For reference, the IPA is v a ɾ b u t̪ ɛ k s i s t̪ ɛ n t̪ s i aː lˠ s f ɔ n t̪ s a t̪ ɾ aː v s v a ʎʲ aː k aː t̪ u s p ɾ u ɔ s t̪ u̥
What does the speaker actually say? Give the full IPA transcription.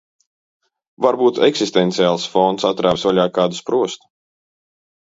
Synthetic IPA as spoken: v a ɾ b uː t̪ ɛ k s i s t̪ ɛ n t̪ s i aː lˠ s f ɔ n t̪ s a t̪ ɾ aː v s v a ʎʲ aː k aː d̪ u s p ɾ u ɔ s t̪ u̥